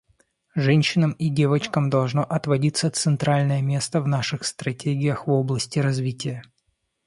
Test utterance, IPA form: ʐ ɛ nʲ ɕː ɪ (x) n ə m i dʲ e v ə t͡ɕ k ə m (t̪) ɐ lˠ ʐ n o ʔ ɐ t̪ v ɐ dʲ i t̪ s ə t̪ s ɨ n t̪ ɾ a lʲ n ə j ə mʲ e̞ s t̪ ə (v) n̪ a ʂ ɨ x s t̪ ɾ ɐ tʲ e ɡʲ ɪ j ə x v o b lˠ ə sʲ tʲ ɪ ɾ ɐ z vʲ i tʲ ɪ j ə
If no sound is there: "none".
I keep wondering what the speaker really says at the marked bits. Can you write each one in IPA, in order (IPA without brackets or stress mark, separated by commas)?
none, d̪, v